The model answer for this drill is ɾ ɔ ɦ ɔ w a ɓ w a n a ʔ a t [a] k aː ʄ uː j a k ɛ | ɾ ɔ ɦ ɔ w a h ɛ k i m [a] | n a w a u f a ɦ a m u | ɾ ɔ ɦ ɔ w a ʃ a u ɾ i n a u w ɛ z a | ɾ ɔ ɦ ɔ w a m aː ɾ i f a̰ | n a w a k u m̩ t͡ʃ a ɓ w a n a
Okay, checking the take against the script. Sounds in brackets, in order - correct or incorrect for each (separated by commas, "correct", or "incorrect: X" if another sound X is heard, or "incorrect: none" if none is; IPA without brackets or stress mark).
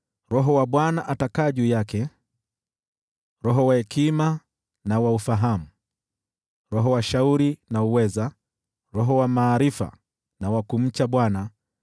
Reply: correct, correct